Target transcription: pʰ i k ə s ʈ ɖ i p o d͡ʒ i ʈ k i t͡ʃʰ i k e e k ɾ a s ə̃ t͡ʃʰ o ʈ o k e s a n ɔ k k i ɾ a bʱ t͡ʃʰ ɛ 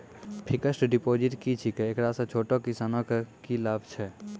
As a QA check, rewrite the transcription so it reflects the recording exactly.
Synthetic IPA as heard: pʰ i k ə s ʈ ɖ i p o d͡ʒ i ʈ k i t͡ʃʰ i k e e k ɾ a s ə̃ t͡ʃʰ o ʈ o k i s a n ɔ k k i l a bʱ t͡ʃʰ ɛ